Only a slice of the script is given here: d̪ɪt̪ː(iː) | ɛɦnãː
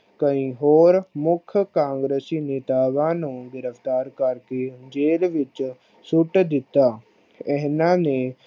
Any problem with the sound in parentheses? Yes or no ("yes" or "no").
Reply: yes